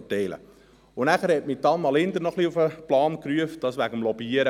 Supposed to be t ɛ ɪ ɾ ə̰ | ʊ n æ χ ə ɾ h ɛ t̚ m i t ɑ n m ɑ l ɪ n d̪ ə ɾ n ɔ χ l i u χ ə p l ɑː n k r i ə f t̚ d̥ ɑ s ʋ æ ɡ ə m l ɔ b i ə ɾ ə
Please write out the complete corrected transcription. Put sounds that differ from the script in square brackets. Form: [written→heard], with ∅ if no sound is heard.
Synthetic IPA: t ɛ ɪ [ɾ→l] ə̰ | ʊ n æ χ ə ɾ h ɛ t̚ m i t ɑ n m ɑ l ɪ n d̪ ə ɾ n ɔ χ l i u [χ→f] ə p l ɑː n k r [i→y] ə f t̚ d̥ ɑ s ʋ æ ɡ ə m l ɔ b i ə ɾ ə